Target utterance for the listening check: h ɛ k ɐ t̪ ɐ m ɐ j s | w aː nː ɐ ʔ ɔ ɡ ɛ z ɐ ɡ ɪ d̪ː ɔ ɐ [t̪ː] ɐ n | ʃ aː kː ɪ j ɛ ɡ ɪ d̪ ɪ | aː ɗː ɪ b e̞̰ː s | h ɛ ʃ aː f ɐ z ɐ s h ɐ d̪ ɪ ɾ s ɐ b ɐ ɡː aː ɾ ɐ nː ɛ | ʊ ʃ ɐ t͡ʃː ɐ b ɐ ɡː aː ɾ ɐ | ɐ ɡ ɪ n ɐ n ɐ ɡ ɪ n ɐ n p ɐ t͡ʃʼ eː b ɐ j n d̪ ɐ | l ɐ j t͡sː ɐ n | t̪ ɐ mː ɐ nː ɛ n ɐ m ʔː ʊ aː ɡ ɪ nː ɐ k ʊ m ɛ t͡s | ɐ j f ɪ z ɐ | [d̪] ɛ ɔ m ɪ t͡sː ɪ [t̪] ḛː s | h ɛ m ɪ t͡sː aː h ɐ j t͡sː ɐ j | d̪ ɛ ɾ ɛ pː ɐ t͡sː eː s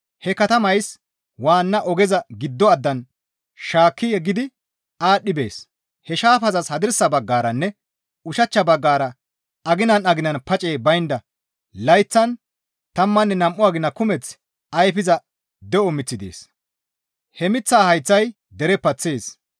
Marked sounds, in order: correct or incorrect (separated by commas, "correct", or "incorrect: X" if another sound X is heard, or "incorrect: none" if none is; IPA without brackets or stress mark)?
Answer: incorrect: d̪ː, correct, incorrect: d̪